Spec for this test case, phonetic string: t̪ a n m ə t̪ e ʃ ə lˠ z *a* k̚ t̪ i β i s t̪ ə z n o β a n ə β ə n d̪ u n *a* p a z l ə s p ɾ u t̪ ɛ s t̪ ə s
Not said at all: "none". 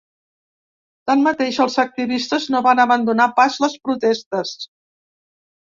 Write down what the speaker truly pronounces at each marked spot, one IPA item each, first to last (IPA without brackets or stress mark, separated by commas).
ə, a